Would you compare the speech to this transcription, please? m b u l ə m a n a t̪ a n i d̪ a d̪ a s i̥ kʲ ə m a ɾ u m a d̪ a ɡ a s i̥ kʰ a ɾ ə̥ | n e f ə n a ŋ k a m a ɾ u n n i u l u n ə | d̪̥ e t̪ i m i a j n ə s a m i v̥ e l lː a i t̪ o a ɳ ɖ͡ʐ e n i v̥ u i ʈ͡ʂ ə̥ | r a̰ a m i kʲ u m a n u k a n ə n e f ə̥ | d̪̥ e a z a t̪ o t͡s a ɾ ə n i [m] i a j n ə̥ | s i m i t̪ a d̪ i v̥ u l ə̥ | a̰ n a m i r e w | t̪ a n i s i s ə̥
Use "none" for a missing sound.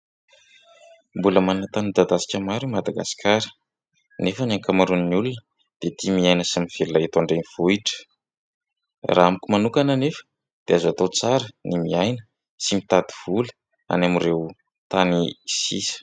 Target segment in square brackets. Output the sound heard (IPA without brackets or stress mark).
m